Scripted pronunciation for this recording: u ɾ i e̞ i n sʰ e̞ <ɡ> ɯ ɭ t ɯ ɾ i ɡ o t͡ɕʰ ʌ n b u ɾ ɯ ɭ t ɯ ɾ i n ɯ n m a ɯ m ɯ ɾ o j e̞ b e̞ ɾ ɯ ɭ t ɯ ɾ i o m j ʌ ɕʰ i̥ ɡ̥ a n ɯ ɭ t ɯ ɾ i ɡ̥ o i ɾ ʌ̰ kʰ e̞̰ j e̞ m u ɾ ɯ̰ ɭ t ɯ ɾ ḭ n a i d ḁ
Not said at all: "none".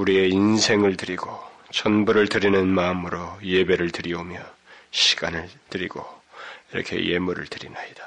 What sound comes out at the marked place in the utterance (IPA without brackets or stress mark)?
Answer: ŋ